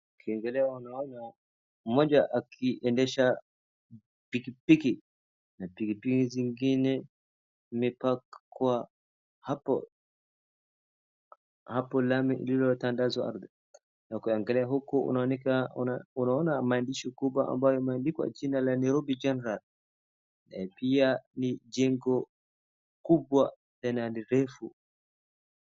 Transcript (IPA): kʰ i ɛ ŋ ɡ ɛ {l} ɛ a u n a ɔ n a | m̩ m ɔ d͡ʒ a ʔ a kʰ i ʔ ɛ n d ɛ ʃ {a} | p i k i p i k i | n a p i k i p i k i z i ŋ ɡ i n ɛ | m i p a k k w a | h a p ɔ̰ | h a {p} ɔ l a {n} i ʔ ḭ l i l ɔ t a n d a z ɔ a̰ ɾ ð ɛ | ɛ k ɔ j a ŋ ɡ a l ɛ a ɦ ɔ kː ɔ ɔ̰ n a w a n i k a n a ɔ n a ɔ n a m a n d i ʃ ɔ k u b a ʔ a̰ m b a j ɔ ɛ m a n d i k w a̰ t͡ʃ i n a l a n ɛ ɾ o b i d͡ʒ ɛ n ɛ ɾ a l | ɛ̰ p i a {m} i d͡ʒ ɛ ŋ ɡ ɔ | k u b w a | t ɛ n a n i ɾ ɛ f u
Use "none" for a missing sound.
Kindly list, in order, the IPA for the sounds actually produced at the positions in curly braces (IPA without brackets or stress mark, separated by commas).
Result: l, a, p, m, n